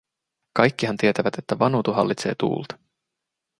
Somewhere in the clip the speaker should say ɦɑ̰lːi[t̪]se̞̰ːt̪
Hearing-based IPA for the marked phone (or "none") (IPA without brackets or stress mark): t̪